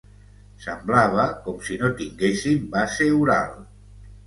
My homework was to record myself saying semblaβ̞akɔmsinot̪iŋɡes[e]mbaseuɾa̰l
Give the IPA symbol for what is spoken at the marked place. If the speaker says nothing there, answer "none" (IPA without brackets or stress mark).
i